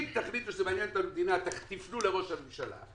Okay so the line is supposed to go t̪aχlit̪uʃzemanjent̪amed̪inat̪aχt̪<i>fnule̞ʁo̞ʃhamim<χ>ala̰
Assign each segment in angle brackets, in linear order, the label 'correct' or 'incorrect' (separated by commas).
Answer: correct, incorrect